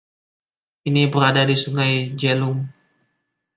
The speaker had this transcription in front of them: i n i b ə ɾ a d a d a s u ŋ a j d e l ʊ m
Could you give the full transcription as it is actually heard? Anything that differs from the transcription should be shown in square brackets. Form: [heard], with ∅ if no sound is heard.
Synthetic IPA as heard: i n i b ə ɾ a d a d [i] s u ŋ a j [d͡ʒ] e l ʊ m